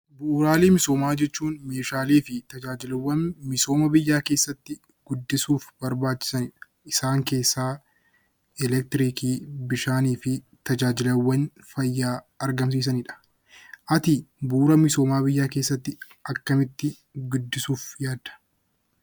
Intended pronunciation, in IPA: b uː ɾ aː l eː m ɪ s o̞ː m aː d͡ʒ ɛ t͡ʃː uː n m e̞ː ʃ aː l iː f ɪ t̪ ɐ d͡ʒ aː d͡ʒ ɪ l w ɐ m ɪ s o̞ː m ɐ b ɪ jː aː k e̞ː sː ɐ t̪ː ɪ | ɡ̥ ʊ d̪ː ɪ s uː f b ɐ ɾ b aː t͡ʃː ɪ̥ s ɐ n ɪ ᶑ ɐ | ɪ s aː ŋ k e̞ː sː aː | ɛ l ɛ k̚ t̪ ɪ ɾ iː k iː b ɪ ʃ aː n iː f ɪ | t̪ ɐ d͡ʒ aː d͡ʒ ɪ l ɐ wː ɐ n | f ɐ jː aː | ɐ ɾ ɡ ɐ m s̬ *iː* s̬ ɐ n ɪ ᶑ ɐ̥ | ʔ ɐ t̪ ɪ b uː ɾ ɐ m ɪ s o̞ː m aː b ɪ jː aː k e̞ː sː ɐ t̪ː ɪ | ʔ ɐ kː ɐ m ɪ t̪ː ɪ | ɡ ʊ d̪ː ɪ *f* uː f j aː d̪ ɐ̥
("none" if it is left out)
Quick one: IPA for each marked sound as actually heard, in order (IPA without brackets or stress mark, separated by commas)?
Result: iː, s